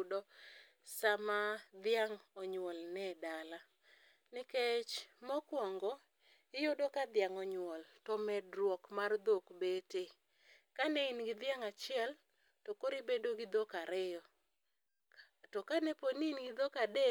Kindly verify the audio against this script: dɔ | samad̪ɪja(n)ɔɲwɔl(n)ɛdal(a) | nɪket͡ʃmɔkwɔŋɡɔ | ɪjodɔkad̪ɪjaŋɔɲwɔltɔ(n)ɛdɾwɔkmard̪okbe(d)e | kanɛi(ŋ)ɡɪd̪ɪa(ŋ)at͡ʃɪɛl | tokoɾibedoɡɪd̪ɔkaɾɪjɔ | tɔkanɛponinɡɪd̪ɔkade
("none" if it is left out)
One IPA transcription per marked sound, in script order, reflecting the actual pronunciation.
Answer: ŋ, n, a, m, t, n, ŋ

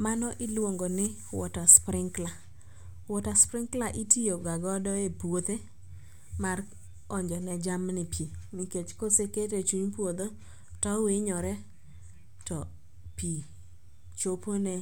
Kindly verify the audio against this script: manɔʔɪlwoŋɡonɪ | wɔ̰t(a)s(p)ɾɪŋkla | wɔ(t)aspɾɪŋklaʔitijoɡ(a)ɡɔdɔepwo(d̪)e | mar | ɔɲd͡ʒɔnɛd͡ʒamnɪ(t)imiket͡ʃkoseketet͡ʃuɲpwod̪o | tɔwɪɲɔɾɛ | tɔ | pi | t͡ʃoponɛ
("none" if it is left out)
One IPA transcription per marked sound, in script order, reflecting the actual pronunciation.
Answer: a, p, t, a, t̪, p

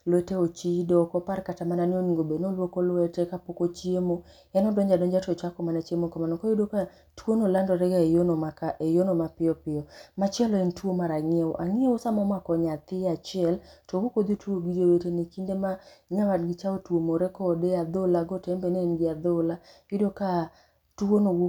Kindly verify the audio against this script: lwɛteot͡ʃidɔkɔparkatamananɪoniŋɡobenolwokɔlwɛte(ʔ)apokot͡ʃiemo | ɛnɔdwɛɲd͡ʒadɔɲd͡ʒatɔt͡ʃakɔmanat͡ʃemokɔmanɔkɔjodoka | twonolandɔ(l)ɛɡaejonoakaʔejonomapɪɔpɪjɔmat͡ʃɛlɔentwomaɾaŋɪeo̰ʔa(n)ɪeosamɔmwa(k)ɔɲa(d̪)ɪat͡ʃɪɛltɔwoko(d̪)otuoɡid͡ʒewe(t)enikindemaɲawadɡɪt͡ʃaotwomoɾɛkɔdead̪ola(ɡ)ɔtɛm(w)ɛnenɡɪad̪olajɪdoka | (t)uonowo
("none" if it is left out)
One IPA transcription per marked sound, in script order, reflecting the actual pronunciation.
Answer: k, ɾ, ŋ, k, t̪, d̪, t, ɡ, b, t

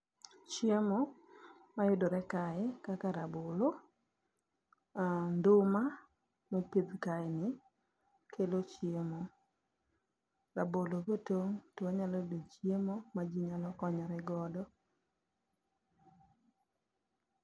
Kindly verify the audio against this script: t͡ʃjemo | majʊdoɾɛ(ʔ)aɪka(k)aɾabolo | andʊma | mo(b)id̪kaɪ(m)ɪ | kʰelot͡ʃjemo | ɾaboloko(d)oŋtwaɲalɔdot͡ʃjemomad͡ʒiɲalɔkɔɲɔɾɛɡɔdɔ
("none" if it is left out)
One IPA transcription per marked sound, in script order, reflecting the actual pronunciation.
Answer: k, k, p, n, t

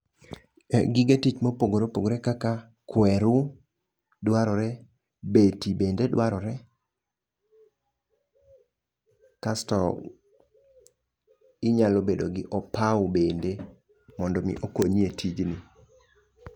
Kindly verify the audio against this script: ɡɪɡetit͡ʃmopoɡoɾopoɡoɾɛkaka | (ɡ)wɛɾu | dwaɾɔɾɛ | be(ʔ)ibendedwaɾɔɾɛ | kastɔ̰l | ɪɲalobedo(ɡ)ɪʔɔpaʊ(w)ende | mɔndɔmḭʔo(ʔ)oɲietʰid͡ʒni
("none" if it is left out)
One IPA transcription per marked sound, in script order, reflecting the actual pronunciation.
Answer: k, t, ɡ, b, k

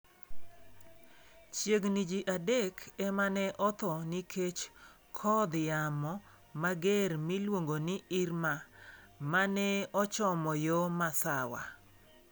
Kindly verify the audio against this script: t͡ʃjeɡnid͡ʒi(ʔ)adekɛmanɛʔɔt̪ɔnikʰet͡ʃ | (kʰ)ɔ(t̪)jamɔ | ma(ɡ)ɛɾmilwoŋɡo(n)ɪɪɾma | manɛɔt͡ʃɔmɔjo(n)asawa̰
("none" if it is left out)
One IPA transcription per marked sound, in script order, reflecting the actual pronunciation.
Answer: ʔ, kʰ, d̪, ɡ, n, m

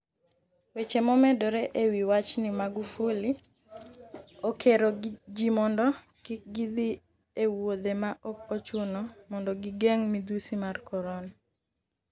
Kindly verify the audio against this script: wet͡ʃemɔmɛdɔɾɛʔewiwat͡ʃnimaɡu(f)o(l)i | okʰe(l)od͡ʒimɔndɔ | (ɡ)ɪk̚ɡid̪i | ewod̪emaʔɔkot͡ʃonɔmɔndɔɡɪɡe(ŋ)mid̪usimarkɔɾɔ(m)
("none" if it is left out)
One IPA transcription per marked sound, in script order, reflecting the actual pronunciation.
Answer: f, l, ɾ, k, ŋ, n

